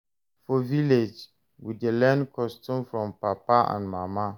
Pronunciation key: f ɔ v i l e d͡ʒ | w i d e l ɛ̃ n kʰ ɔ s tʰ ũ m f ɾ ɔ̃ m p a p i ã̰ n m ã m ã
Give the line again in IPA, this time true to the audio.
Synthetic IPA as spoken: f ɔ v i l e d͡ʒ | w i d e l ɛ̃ n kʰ ɔ s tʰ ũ m f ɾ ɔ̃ m p a p a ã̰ n m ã m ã